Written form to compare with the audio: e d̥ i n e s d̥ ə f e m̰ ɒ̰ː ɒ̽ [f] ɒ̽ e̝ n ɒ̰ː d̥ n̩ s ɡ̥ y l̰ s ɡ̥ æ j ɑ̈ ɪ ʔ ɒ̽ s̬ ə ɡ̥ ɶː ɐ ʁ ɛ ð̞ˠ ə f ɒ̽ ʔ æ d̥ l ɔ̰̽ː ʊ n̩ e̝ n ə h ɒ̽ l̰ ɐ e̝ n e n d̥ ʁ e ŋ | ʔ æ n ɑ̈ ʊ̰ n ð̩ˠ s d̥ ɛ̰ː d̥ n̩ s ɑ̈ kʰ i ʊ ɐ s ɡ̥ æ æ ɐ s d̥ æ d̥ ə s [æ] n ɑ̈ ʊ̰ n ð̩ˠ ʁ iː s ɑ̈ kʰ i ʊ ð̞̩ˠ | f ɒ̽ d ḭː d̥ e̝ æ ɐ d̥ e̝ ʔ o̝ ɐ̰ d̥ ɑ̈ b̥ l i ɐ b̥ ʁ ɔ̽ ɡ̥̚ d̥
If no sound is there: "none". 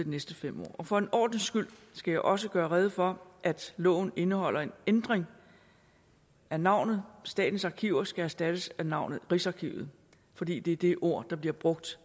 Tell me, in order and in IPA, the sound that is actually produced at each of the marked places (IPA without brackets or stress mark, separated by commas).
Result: f, æ